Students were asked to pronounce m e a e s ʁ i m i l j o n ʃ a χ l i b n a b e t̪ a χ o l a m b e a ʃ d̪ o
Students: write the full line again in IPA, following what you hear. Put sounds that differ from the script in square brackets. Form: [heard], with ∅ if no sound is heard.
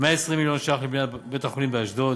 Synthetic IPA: m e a e s ʁ i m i l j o n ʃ a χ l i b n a b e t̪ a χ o l [i] m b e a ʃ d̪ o